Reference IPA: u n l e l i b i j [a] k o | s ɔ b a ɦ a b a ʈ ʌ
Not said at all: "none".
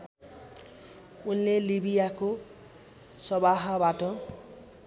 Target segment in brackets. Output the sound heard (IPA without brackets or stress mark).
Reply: a